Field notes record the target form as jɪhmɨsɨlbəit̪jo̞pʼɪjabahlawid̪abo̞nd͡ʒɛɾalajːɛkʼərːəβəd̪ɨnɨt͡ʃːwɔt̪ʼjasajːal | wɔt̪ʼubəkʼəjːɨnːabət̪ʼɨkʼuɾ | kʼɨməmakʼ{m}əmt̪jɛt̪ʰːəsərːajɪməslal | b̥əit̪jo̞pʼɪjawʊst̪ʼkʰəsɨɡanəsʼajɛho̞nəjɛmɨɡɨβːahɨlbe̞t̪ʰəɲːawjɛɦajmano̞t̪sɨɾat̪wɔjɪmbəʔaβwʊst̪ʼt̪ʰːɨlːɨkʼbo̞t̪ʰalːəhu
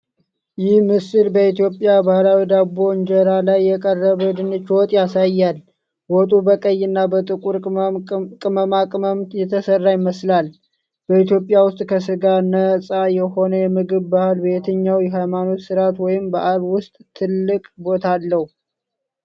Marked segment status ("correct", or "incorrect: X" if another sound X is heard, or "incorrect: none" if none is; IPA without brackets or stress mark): correct